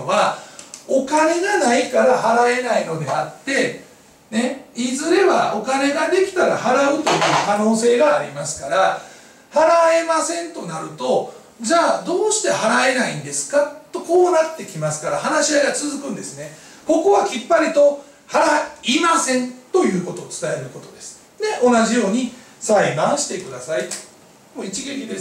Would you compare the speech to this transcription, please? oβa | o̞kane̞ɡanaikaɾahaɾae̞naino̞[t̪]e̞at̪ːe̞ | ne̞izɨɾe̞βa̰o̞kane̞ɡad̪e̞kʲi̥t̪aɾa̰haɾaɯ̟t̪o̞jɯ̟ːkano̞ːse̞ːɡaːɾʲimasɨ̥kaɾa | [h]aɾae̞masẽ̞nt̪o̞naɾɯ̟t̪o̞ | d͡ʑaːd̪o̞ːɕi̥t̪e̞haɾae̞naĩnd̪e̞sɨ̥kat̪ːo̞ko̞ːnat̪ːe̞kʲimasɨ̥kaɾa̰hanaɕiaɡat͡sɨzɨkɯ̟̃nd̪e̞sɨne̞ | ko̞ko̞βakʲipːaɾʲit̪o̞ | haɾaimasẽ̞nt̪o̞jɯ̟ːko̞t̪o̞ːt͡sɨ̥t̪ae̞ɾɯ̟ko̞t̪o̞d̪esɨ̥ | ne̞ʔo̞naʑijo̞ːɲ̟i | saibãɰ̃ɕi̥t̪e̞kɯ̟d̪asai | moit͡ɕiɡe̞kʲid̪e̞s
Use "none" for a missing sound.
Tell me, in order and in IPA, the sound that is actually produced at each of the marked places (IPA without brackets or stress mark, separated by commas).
d̪, h